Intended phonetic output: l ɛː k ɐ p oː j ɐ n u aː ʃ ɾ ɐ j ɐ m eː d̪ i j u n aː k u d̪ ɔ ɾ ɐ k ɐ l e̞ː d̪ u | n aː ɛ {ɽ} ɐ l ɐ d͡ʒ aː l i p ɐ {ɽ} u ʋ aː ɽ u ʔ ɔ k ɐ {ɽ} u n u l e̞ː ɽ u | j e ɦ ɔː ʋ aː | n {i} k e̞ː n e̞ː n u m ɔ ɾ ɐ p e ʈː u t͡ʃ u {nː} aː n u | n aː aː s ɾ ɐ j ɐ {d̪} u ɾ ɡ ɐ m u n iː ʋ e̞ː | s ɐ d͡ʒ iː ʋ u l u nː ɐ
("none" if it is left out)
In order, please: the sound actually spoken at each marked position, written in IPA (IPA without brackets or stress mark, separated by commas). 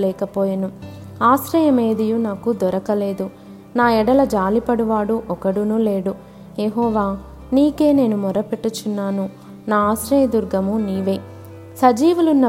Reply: ɽ, ɽ, ɽ, iː, nː, d̪